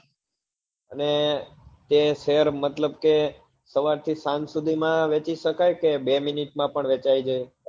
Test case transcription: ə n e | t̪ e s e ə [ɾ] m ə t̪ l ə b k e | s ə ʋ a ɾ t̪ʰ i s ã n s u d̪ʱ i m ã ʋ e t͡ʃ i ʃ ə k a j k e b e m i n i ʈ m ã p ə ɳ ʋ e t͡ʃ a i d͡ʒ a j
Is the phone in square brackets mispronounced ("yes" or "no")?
no